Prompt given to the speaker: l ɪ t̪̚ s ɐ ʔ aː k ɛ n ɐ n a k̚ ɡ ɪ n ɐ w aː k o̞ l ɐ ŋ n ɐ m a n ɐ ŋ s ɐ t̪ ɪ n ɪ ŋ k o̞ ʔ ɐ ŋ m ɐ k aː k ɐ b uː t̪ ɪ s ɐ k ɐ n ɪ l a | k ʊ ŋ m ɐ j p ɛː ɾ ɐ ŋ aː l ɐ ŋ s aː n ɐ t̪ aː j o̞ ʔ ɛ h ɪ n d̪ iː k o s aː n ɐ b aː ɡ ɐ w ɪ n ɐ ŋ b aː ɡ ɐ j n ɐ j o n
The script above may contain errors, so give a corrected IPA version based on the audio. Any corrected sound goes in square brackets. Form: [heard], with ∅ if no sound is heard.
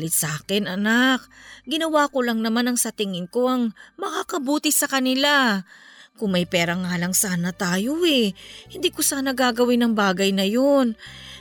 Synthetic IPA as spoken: l ɪ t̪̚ s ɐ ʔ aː k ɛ n ɐ n a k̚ ɡ ɪ n ɐ w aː k o̞ l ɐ ŋ n ɐ m a n ɐ ŋ s ɐ t̪ ɪ [ŋ] ɪ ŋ k o̞ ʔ ɐ ŋ m ɐ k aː k ɐ b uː t̪ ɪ s ɐ k ɐ n ɪ l a | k ʊ ŋ m ɐ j p ɛː ɾ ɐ ŋ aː l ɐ ŋ s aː n ɐ t̪ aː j o̞ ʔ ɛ h ɪ n d̪ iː k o s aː n ɐ [ɡ] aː ɡ ɐ w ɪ n ɐ ŋ b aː ɡ ɐ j n ɐ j o n